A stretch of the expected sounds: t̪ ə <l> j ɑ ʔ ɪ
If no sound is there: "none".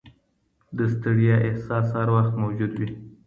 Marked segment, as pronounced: ɽ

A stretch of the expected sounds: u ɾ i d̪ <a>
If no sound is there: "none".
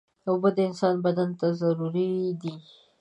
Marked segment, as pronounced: i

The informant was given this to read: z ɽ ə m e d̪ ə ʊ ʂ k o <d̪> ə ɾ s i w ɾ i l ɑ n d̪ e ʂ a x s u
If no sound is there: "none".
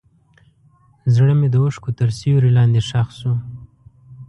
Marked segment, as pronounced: t̪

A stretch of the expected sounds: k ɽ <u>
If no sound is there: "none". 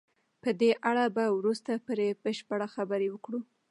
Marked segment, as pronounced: u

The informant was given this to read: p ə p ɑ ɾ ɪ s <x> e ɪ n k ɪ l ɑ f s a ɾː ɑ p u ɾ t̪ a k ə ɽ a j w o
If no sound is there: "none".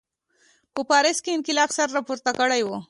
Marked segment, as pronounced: k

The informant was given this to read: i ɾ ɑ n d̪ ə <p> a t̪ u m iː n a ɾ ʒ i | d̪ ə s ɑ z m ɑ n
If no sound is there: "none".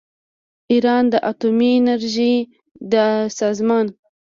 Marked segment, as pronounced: ʔ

